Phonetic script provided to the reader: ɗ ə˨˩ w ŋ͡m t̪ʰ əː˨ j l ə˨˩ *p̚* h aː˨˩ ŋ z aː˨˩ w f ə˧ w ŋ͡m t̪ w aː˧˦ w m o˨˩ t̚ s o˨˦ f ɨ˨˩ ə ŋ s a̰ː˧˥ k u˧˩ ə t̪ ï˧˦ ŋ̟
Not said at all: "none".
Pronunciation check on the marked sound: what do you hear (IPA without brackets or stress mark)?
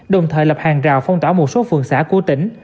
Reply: p̚